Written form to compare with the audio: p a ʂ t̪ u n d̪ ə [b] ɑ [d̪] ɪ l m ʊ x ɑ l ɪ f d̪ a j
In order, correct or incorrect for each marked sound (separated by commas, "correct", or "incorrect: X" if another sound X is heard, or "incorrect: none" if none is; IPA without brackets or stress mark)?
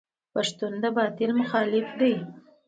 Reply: correct, incorrect: t̪